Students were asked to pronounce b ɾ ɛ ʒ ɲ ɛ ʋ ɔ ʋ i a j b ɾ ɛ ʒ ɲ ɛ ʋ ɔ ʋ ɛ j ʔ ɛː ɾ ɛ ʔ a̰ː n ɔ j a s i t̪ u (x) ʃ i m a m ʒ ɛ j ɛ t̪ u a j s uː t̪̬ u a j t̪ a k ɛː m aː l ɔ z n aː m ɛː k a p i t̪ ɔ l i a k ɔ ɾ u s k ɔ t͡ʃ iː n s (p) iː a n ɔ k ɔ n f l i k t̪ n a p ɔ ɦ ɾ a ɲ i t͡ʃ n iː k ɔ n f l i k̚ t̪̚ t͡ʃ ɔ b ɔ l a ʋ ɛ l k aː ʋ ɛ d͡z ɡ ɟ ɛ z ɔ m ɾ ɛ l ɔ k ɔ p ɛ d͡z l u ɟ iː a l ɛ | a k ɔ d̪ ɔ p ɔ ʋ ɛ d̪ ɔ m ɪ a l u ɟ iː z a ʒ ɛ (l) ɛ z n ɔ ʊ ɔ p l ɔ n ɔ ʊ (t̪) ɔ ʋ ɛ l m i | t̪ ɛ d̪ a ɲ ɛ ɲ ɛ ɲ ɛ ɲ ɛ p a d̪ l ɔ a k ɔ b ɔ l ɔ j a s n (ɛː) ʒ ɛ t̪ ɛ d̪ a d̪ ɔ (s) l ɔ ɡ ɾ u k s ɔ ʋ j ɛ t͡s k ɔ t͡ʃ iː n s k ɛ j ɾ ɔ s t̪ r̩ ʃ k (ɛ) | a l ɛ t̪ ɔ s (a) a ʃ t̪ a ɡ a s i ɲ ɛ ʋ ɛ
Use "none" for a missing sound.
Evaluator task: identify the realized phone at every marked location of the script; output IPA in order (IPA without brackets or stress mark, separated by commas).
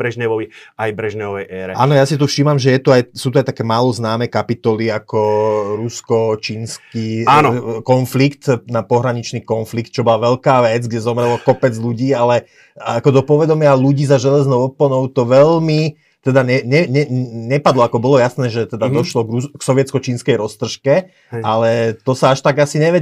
f, k, l, t̪, ɛː, ʃ, ɛ, a